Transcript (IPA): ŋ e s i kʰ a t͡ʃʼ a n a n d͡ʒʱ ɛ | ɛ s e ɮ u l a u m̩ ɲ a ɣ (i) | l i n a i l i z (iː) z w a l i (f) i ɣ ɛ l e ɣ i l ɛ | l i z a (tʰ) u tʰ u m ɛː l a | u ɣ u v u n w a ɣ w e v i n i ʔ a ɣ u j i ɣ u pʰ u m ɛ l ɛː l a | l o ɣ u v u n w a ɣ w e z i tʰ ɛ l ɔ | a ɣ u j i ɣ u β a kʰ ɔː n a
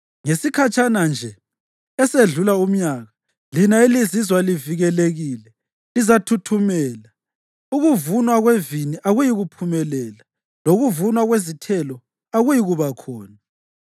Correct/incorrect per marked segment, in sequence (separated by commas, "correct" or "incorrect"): incorrect, incorrect, incorrect, correct